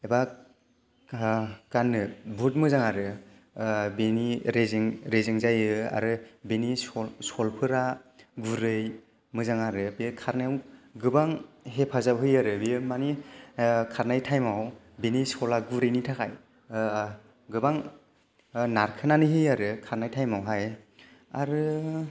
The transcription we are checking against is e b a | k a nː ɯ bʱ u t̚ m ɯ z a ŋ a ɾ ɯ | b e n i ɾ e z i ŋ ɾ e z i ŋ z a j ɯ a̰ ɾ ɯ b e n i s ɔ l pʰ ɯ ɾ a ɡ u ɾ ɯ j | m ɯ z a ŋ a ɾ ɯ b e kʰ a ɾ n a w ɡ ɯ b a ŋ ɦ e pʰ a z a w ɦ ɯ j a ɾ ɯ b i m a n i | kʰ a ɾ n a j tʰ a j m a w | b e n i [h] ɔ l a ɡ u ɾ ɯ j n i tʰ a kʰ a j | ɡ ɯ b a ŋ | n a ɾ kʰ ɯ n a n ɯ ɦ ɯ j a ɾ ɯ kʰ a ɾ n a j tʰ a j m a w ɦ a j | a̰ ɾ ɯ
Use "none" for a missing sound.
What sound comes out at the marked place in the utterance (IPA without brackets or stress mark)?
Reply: s